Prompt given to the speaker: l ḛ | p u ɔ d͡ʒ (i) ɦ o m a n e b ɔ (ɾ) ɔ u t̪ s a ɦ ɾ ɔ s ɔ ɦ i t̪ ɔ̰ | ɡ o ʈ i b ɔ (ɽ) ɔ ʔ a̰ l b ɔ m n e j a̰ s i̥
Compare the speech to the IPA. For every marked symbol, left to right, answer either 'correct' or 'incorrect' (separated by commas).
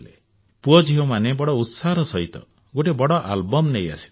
correct, incorrect, correct